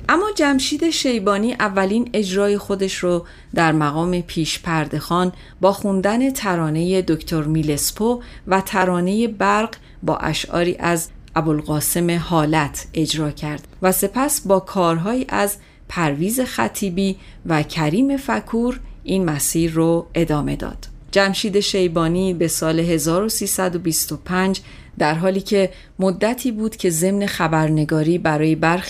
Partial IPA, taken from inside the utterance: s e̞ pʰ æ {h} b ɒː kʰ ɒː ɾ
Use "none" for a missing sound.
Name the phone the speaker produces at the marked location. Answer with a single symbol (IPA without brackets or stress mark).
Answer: s